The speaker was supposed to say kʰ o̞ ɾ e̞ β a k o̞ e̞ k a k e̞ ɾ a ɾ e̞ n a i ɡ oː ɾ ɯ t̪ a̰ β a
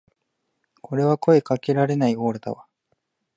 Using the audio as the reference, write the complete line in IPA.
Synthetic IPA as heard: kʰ o̞ ɾ e̞ β a k o̞ e̞ k a k e̞ ɾ a ɾ e̞ n a i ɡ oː ɾ ɯ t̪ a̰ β a